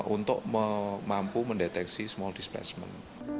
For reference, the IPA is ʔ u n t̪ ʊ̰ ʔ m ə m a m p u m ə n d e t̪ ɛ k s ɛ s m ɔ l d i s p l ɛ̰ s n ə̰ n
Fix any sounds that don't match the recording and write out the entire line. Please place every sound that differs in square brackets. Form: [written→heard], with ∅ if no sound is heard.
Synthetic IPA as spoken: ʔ u n t̪ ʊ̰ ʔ m ə m a m p u m ə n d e t̪ ɛ k s [ɛ→i] s m ɔ l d i s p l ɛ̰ s [n→m] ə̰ n